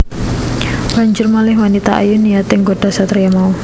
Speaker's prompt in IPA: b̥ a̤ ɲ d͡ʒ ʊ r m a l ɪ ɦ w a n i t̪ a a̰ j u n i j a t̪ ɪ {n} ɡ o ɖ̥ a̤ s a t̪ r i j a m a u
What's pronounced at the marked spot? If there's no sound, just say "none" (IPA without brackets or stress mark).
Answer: ŋ